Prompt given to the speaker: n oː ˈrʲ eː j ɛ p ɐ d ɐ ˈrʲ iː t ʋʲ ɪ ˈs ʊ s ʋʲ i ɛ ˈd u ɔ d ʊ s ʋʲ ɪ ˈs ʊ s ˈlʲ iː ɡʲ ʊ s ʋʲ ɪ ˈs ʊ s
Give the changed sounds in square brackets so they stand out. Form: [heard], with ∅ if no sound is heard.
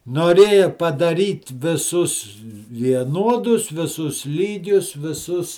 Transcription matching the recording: n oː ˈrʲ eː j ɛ p ɐ d ɐ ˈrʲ iː t ʋʲ ɪ ˈs ʊ s ʋʲ i ɛ [ˈn] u ɔ d ʊ s ʋʲ ɪ ˈs ʊ s ˈlʲ iː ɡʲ ʊ s ʋʲ ɪ ˈs ʊ s